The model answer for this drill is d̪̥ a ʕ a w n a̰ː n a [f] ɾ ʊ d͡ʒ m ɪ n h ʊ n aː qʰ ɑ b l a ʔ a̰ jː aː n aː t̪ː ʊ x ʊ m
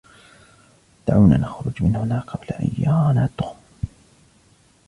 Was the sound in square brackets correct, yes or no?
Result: no